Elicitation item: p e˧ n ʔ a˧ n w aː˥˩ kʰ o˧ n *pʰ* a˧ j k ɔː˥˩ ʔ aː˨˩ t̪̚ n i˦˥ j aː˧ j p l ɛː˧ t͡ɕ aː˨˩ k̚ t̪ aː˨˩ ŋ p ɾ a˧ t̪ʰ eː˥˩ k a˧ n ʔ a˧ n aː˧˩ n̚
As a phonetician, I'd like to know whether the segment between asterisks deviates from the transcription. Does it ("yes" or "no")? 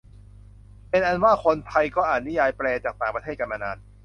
no